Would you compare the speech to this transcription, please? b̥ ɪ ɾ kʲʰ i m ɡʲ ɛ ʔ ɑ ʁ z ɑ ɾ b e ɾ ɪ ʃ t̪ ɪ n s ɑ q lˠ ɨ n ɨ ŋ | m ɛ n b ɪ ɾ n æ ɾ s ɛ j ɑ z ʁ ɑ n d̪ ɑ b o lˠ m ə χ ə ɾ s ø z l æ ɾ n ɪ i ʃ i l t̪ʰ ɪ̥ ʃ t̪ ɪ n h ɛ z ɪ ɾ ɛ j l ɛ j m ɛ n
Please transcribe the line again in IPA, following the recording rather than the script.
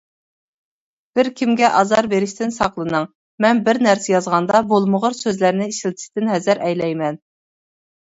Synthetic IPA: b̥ ɪ ɾ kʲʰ i m ɡʲ ɛ ʔ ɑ z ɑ ɾ b e ɾ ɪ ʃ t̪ ɪ n s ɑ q lˠ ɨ n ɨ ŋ | m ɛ n b ɪ ɾ n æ ɾ s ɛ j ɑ z ʁ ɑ n d̪ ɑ b o lˠ m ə ʁ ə ɾ s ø z l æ ɾ n ɪ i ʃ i l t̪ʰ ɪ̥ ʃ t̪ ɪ n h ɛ z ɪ ɾ ɛ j l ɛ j m ɛ n